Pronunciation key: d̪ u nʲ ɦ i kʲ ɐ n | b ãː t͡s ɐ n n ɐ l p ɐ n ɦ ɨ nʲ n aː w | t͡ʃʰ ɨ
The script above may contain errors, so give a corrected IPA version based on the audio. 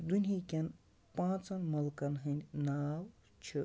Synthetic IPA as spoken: d̪ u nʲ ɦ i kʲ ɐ n | p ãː t͡s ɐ n m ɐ l k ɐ n ɦ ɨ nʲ n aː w | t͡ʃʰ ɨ